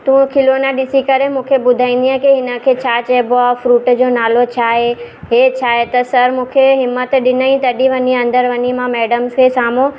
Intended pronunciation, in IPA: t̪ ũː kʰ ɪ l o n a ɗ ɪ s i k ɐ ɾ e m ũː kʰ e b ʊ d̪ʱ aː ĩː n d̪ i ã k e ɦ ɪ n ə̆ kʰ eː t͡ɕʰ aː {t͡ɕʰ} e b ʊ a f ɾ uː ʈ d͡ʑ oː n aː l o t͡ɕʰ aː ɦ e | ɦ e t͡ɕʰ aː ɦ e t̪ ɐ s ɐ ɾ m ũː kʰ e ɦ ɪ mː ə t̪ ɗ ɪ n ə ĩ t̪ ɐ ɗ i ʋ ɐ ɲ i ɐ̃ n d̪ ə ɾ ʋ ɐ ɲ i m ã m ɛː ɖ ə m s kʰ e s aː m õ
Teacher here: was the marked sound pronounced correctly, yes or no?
no